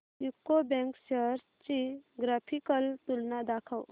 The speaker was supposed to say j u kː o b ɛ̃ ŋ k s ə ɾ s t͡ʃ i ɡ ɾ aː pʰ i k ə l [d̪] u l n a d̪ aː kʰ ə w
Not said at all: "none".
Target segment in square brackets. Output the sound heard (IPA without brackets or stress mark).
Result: t̪